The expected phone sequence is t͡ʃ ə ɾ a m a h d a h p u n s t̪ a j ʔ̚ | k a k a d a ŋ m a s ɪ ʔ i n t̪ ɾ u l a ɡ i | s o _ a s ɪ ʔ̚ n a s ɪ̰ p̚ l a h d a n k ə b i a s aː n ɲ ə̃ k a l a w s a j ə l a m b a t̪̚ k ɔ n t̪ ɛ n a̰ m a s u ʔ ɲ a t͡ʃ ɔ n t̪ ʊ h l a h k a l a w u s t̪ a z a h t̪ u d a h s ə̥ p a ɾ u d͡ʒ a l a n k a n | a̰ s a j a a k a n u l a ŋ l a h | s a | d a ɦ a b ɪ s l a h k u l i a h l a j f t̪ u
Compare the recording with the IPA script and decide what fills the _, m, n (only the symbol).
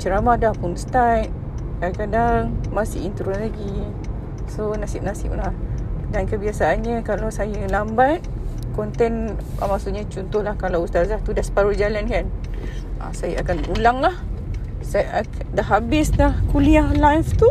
n